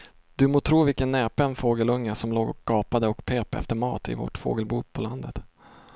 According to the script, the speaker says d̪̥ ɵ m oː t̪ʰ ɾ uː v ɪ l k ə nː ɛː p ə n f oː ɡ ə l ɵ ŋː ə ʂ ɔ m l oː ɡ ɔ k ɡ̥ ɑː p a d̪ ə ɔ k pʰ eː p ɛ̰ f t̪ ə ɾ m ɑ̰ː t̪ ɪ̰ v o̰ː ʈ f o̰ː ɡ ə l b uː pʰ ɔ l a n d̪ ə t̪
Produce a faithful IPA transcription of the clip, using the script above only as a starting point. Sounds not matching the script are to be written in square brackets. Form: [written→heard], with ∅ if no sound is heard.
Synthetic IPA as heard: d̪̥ ɵ m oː t̪ʰ ɾ uː v ɪ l k ə nː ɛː p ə n f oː ɡ ə l ɵ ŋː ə [ʂ→s] ɔ m l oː ɡ ɔ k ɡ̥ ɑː p a d̪ ə ɔ k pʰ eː p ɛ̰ f t̪ ə ɾ m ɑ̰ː t̪ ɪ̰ v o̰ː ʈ f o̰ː ɡ ə l b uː pʰ ɔ l a n d̪ ə t̪